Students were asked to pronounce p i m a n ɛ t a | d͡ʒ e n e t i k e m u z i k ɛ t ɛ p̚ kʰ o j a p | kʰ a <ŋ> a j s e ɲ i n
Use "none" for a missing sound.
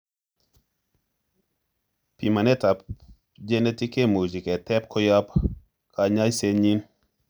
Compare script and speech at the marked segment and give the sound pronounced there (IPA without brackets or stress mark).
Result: ɲ